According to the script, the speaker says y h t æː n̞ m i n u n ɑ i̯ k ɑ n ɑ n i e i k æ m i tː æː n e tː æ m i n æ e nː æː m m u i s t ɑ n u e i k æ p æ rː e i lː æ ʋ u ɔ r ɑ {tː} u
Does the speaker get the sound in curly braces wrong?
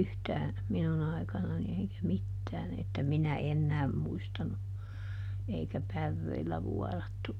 no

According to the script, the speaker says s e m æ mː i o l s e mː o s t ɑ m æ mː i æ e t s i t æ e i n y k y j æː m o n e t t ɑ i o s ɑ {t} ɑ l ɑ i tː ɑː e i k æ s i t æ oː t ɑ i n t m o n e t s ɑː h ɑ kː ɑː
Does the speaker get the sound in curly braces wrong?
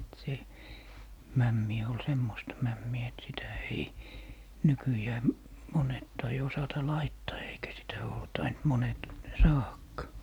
no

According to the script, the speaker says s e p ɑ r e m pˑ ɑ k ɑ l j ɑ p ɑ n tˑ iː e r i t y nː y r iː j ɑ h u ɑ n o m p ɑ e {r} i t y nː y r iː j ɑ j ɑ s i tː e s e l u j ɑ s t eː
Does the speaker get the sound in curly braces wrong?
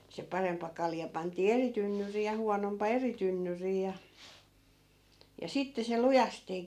no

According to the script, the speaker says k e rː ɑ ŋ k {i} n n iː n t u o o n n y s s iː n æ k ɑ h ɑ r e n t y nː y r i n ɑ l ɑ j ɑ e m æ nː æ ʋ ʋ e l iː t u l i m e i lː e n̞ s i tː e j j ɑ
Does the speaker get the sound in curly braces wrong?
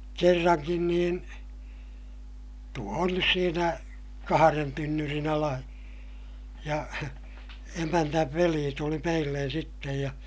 no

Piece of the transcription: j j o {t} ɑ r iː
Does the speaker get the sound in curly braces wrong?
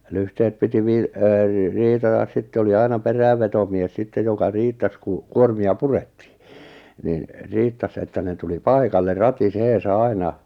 yes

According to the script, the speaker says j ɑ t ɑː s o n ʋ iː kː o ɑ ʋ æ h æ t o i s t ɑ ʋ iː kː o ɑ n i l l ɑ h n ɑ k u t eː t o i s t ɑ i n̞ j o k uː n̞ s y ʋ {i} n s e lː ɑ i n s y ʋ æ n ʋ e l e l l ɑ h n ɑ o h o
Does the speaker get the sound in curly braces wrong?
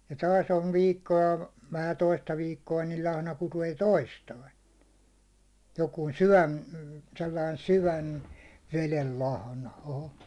yes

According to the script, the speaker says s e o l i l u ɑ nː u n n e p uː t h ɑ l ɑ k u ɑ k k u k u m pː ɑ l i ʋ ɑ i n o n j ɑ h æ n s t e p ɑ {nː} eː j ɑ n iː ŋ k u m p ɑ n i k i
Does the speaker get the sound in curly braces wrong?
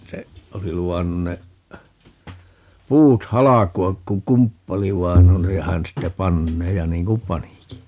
no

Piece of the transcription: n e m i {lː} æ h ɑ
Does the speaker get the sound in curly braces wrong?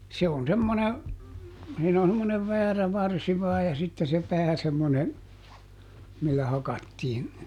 no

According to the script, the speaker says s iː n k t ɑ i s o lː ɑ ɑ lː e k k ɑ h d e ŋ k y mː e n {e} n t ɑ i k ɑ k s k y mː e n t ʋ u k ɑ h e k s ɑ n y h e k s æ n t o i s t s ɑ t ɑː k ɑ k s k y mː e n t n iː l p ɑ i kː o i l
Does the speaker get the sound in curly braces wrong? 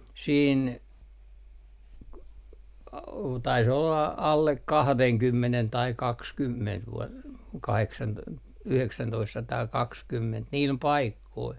no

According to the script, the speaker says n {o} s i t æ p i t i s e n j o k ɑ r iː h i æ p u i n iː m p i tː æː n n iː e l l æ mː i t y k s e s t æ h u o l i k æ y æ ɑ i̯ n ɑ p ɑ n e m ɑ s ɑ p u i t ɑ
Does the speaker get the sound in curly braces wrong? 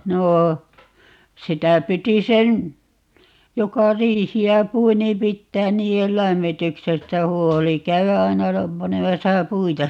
yes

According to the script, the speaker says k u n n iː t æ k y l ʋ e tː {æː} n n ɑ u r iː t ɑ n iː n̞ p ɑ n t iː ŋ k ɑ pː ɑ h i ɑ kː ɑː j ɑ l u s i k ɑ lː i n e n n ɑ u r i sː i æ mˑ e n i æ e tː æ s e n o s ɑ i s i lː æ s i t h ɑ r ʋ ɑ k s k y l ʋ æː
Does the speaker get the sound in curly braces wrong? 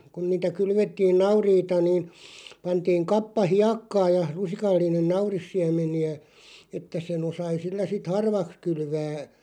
yes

